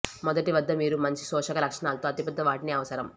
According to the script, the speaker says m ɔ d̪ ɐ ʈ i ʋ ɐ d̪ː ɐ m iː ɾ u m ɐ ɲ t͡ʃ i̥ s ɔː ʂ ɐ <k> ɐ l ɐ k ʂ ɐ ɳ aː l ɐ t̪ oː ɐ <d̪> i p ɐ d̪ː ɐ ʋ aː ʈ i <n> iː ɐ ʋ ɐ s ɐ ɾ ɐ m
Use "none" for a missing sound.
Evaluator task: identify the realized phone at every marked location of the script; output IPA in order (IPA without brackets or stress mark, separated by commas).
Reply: k, t̪, n